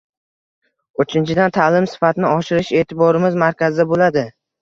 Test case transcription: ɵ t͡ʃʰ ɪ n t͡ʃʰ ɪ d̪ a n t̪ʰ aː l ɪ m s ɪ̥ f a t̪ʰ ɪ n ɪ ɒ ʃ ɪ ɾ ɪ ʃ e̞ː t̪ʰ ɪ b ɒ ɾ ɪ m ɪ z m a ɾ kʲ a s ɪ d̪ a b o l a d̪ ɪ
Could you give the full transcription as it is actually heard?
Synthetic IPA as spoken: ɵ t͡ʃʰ ɪ n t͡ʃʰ ɪ d̪ a n t̪ʰ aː l ɪ m s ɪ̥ f a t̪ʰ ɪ n ɪ ɒ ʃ ɪ ɾ ɪ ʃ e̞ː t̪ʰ ɪ b ɒ ɾ ɪ m ɪ z m a ɾ kʲ a z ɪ d̪ a b o l a d̪ ɪ